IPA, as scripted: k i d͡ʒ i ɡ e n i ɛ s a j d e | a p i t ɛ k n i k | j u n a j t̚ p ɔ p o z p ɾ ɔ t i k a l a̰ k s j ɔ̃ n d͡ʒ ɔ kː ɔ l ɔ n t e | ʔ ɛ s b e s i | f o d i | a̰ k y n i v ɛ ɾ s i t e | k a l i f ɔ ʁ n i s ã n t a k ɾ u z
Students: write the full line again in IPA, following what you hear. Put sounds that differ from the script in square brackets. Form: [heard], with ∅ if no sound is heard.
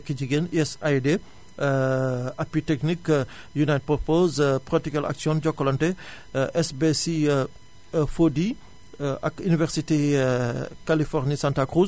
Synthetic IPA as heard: k i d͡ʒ i ɡ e n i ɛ s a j d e | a p i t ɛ k n i k | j u n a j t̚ p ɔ p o z p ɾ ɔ t i k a l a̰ k s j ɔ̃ n d͡ʒ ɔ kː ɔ l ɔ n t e | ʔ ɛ s b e s i | f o d i | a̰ k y n i v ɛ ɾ s i t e | k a l i f ɔ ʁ n i s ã n t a k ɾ u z